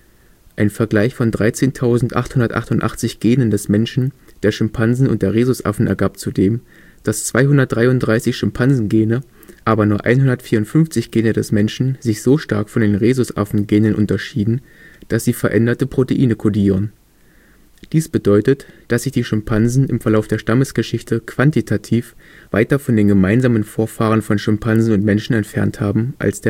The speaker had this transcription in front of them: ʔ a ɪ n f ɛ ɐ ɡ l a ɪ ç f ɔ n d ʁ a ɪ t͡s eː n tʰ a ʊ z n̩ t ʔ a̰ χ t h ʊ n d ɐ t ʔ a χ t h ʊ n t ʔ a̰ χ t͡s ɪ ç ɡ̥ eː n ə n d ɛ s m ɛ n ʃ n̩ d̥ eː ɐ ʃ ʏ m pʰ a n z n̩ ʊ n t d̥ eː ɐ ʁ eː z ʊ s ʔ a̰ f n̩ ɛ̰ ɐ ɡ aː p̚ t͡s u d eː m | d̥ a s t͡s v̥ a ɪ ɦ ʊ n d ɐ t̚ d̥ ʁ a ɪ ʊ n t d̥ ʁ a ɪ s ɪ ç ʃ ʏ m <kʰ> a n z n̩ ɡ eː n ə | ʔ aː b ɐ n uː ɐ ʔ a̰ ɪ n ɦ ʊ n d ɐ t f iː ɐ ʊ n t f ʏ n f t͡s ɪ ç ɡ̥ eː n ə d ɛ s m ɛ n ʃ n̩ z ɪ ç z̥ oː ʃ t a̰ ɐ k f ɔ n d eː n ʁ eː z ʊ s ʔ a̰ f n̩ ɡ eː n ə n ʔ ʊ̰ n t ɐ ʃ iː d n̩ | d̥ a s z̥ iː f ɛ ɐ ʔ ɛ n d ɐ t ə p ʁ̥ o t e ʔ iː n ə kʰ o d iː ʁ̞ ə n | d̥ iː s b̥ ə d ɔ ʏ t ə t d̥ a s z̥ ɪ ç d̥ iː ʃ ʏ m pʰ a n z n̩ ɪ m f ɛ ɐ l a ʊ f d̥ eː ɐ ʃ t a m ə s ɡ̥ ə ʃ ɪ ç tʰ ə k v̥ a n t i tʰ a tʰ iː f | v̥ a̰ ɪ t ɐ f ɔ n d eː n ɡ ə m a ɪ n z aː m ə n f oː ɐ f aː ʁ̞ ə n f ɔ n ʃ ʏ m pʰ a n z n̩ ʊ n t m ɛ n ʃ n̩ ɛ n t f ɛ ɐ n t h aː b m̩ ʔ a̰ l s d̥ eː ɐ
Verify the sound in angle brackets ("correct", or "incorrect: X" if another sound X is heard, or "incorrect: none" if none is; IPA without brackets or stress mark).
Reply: incorrect: pʰ